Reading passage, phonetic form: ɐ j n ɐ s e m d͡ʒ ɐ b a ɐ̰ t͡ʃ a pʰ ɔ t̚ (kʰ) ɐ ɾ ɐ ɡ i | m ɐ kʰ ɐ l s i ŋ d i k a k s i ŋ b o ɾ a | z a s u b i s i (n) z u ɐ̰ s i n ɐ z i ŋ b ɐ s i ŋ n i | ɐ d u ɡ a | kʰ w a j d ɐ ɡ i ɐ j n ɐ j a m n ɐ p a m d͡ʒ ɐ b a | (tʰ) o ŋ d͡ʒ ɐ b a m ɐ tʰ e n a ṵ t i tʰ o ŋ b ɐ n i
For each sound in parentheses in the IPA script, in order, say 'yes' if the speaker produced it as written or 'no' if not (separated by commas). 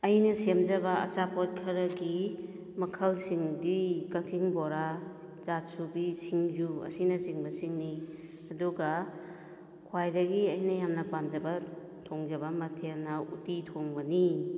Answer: yes, no, yes